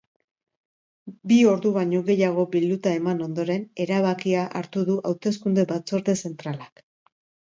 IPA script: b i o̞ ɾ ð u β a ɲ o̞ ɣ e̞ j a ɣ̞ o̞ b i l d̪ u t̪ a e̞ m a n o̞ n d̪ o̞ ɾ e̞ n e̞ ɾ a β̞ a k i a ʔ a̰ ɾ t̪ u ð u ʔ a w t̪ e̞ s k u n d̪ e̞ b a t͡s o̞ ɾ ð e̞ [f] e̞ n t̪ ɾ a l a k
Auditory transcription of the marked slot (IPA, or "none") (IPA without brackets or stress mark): s